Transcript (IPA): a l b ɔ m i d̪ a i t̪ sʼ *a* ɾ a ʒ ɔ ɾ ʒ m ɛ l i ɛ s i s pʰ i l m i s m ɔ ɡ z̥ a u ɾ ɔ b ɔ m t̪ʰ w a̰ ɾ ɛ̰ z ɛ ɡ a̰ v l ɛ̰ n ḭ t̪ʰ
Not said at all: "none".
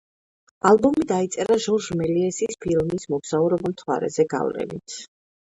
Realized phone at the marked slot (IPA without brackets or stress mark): ɛ